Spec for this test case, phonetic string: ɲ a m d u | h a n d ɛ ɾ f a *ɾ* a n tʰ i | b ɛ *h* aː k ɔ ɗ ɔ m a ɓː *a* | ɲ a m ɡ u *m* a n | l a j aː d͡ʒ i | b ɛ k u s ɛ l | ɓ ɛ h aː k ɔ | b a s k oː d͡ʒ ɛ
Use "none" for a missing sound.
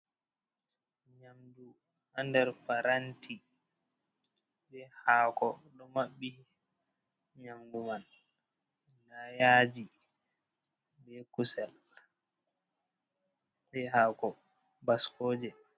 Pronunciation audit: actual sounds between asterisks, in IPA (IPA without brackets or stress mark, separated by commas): ɾ, h, i, m